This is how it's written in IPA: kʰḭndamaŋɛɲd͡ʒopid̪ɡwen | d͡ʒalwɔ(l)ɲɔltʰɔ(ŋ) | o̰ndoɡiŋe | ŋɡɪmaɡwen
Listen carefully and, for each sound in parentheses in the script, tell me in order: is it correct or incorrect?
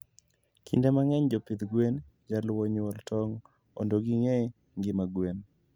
incorrect: none, correct

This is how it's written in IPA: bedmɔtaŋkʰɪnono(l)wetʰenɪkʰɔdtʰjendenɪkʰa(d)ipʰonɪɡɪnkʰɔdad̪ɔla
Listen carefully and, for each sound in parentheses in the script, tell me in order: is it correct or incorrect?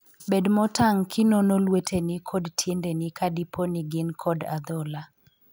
correct, correct

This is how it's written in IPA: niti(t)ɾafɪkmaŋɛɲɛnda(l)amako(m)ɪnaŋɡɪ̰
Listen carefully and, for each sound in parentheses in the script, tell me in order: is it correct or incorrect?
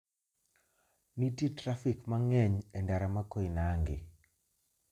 correct, incorrect: ɾ, incorrect: none

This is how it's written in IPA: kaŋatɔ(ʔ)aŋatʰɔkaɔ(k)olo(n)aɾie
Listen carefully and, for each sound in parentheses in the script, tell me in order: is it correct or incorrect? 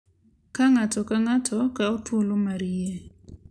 incorrect: k, incorrect: t, incorrect: m

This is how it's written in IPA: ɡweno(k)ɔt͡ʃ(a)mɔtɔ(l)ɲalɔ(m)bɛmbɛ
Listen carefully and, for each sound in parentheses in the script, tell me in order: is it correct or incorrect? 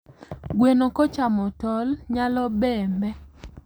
correct, correct, correct, incorrect: none

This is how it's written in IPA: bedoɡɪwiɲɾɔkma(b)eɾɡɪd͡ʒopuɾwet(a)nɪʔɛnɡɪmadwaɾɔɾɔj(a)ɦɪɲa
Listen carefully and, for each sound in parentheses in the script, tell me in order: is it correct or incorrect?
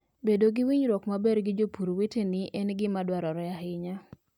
correct, incorrect: e, correct

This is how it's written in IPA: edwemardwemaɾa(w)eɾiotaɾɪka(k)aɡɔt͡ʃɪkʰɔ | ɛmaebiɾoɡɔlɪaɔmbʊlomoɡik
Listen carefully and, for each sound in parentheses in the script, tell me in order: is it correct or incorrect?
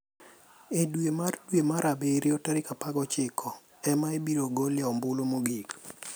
incorrect: b, incorrect: p

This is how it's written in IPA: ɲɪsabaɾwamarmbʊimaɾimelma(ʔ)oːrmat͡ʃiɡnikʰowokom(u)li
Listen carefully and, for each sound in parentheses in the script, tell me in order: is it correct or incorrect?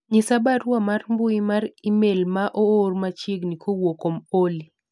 correct, incorrect: o

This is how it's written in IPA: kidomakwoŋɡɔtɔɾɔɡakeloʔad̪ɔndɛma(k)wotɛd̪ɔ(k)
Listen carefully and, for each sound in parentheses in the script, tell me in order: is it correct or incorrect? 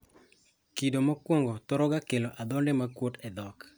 correct, correct

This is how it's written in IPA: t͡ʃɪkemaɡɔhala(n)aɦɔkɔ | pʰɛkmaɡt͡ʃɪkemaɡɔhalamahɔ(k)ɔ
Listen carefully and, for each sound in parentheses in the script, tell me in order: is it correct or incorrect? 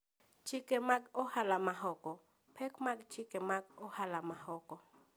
incorrect: m, correct

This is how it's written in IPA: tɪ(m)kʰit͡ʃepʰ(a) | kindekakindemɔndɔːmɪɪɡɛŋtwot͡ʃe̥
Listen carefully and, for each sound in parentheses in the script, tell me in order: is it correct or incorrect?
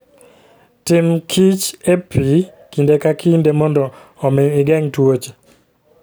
correct, incorrect: i

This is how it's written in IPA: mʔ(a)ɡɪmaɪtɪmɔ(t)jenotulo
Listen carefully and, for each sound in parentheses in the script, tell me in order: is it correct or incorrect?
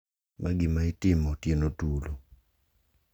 correct, correct

